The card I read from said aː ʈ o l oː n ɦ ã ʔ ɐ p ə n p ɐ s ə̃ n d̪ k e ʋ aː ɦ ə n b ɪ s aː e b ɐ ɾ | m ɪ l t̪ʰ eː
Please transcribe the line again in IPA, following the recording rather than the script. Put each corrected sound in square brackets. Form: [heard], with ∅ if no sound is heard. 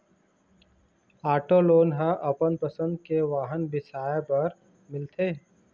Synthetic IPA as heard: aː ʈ o l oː n ɦ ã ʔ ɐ p ə n p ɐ s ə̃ n d̪ k e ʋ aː ɦ ə n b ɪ s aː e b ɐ ɾ | m ɪ l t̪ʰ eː